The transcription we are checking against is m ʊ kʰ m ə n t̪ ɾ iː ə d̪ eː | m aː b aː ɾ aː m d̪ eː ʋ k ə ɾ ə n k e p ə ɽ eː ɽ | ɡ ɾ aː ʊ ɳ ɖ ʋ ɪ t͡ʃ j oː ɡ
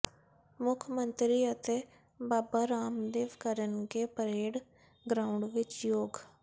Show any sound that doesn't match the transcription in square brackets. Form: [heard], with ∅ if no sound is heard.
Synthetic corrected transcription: m ʊ kʰ m ə n t̪ ɾ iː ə [t̪] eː | [b] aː b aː ɾ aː m d̪ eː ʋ k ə ɾ ə n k e p ə [ɾ] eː ɽ | ɡ ɾ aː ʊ ɳ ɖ ʋ ɪ t͡ʃ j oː ɡ